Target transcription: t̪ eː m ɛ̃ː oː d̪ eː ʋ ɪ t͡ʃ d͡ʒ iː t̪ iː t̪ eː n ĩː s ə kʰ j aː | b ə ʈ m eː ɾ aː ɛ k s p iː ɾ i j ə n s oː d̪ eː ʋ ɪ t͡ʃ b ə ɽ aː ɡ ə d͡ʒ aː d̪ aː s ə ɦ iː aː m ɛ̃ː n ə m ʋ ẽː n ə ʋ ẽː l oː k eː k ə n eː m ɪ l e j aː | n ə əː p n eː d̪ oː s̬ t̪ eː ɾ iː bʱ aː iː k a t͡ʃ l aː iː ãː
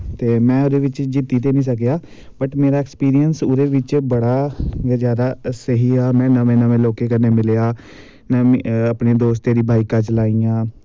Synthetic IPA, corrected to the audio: t̪ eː m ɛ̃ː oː d̪ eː ʋ ɪ t͡ʃ d͡ʒ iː t̪ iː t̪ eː n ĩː s ə k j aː | b ə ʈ m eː ɾ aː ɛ k s p iː ɾ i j ə n s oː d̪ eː ʋ ɪ t͡ʃ b ə ɽ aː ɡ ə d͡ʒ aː d̪ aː s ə ɦ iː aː m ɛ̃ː n ə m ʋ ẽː n ə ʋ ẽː l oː k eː k ə n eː m ɪ l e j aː | n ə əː p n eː d̪ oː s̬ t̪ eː ɾ iː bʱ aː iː k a t͡ʃ l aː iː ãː

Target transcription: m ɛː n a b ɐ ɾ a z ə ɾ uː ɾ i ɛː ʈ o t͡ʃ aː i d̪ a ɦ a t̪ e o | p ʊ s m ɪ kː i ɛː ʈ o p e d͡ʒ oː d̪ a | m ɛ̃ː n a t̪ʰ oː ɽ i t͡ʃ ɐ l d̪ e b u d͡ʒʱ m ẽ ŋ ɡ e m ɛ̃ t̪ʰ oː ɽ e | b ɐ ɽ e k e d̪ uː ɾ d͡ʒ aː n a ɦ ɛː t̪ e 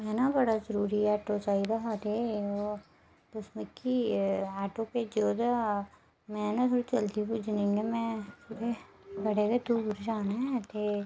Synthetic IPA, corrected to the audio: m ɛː n a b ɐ ɽ a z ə ɾ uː ɾ i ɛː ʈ o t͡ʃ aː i d̪ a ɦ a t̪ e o | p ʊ s m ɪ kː i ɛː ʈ o p e d͡ʒ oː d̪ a | m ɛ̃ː n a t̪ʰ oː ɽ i t͡ʃ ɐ l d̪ i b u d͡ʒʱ n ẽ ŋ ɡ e m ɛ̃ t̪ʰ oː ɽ e | b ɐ ɽ e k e d̪ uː ɾ d͡ʒ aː n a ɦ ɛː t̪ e

